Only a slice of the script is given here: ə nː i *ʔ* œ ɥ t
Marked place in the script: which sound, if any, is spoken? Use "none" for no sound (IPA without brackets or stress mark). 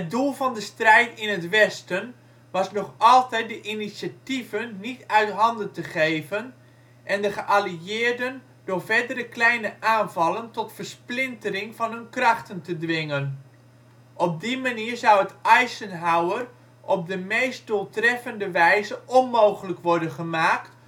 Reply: t